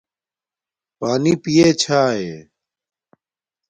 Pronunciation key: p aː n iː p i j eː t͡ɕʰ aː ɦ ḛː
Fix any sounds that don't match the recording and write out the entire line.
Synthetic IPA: p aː n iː p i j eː t͡ɕʰ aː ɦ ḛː